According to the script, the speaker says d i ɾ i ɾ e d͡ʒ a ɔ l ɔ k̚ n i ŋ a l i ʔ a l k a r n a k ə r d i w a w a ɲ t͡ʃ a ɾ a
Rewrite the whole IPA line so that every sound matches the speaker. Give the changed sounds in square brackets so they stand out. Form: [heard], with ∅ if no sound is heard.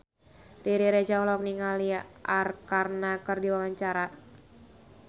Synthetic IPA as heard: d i ɾ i ɾ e d͡ʒ a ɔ l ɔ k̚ n i ŋ a l i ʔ a [r] k a r n a k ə r d i w a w a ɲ t͡ʃ a ɾ a